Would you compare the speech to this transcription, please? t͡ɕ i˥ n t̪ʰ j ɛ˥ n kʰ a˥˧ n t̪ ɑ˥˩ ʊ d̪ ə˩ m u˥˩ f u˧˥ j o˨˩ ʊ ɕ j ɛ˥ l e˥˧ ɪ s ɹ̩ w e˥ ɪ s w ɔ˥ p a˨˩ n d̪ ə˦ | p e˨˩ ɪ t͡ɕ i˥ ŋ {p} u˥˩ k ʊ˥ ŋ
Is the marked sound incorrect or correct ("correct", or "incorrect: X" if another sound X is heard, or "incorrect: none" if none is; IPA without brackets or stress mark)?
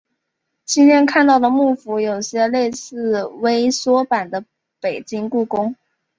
incorrect: k